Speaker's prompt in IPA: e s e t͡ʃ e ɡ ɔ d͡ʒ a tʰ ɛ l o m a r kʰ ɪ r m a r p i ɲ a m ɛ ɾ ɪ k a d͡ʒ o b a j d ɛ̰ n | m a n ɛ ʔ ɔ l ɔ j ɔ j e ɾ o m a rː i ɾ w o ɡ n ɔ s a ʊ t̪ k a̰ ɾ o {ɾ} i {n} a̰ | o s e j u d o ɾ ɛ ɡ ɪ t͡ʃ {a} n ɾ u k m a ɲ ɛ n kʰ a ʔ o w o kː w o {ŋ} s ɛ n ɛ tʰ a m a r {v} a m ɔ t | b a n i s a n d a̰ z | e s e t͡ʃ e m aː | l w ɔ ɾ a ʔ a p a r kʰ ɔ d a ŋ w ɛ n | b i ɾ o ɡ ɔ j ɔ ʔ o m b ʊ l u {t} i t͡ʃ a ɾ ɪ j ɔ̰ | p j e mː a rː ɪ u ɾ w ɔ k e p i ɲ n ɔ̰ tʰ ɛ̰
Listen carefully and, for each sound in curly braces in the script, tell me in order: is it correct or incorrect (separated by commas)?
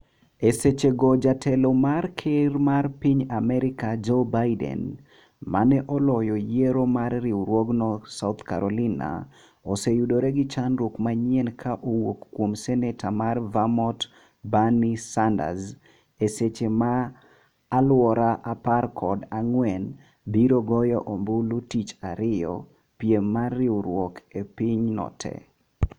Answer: incorrect, correct, correct, incorrect, correct, correct